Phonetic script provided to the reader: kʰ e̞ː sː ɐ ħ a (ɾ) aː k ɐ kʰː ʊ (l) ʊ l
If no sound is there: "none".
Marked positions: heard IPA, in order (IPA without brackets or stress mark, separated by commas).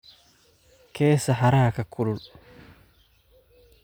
ɾ, l